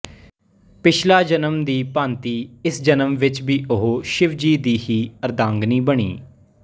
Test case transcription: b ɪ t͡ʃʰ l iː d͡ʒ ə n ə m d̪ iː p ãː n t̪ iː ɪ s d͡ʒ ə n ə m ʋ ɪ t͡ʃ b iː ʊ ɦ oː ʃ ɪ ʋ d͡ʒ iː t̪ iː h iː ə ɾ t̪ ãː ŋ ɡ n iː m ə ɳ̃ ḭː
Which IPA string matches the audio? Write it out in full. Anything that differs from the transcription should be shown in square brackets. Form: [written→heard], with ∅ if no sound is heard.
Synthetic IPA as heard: [b→p] ɪ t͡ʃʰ l [iː→aː] d͡ʒ ə n ə m d̪ iː p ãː n t̪ iː ɪ s d͡ʒ ə n ə m ʋ ɪ t͡ʃ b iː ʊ ɦ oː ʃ ɪ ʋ d͡ʒ iː [t̪→d̪] iː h iː ə ɾ [t̪→d̪] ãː ŋ ɡ n iː [m→b] ə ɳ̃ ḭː